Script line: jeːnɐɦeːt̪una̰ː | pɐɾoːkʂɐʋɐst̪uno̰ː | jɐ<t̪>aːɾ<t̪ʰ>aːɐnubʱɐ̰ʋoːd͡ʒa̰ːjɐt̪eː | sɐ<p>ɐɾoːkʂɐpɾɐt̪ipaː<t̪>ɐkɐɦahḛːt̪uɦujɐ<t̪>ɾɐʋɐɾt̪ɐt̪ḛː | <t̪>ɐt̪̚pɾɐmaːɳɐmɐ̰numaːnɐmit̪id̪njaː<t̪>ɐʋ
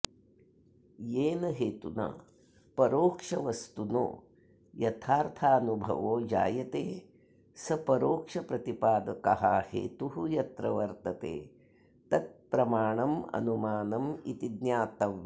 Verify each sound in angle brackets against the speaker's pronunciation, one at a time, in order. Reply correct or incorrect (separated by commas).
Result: incorrect, correct, correct, incorrect, correct, correct, correct